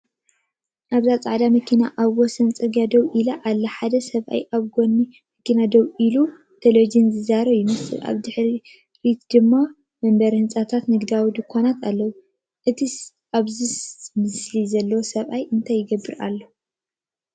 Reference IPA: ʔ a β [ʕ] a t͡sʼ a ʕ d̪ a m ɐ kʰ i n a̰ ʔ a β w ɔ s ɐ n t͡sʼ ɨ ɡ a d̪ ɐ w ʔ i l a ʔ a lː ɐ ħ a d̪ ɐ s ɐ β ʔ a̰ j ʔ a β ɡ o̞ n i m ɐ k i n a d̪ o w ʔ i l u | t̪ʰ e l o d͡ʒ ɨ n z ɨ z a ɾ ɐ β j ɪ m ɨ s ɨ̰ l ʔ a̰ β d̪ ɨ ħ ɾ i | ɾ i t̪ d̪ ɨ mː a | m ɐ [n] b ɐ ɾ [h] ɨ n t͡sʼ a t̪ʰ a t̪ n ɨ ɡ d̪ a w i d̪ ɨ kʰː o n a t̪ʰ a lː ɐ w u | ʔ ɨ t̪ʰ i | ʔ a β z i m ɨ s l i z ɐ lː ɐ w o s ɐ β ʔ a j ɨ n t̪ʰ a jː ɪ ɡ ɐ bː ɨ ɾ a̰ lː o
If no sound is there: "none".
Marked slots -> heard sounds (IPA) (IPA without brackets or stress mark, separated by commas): z, m, h